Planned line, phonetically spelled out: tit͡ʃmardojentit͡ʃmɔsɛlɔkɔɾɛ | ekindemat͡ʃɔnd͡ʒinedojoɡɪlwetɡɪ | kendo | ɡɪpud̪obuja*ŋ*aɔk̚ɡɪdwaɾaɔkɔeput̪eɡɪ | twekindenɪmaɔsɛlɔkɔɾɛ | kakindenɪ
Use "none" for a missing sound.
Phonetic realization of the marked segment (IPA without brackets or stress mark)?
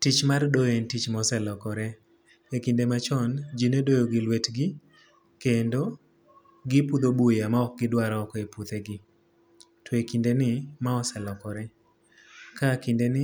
m